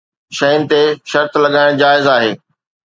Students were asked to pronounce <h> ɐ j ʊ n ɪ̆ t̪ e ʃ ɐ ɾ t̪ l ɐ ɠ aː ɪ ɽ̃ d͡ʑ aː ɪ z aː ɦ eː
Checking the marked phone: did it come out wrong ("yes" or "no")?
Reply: yes